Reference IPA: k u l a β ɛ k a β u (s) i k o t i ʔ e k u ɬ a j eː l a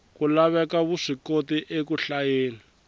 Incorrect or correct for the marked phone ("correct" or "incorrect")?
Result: incorrect